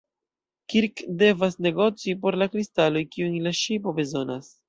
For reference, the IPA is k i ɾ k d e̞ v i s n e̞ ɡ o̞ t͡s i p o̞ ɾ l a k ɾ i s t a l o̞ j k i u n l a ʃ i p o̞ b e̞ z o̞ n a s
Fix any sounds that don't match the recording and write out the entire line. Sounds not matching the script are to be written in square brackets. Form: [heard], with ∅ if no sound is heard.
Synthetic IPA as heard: k i ɾ k d e̞ v [a] s n e̞ ɡ o̞ t͡s i p o̞ ɾ l a k ɾ i s t a l o̞ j k i u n l a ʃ i p o̞ b e̞ z o̞ n a s